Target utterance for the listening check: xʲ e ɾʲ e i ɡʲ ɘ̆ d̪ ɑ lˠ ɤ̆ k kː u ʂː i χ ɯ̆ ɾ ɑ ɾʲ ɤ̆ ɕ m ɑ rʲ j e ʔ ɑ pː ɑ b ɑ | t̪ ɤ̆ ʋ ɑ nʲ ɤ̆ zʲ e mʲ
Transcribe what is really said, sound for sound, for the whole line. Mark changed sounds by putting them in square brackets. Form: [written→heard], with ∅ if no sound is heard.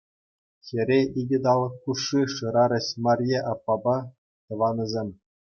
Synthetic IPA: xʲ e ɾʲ e i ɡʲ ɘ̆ d̪ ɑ lˠ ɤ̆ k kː u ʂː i [χ→ʂ] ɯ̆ ɾ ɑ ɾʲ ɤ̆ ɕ m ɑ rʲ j e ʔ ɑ pː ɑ b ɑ | t̪ ɤ̆ ʋ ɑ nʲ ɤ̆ zʲ e mʲ